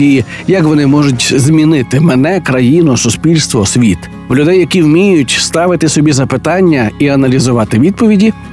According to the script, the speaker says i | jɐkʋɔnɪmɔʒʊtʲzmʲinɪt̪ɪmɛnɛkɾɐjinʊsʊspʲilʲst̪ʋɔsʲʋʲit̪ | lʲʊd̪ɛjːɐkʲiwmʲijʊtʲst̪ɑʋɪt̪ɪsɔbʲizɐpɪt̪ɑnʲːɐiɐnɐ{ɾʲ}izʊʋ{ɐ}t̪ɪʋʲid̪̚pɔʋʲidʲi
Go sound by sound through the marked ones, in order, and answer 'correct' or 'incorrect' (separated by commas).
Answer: incorrect, incorrect